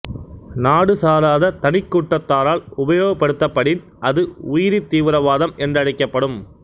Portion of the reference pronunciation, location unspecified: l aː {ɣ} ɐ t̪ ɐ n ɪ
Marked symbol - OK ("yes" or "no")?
no